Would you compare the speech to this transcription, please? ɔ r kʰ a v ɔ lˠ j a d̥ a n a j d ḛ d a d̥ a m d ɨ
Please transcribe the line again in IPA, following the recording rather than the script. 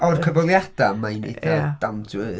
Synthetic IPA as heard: ɔ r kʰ ə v ɔ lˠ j a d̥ a m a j n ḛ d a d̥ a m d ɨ